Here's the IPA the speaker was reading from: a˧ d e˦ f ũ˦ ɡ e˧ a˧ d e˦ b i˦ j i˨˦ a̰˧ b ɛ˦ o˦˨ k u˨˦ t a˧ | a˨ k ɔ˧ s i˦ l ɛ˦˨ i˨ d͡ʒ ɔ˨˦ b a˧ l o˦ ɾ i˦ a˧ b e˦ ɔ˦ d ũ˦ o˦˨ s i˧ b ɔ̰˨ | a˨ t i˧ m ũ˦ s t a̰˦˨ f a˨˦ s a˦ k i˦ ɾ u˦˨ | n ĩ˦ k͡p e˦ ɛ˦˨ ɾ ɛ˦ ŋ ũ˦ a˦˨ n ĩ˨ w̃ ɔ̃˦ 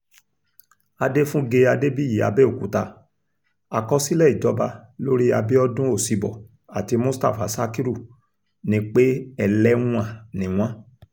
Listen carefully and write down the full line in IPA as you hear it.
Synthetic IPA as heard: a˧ d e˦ f ũ˦ ɡ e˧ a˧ d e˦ b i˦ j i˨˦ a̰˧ b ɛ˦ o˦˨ k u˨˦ t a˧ | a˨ k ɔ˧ s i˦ l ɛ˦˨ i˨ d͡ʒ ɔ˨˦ b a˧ l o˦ ɾ i˦ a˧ b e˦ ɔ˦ d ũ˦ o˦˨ s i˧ b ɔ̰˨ | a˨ t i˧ m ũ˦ s t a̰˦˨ f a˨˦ s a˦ k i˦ ɾ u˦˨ | n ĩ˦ k͡p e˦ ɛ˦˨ l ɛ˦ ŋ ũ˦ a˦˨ n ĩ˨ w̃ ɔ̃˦